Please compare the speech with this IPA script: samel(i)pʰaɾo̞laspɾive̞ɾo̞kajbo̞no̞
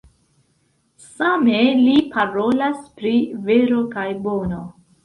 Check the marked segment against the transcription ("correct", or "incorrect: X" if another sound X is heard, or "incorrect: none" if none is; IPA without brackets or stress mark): correct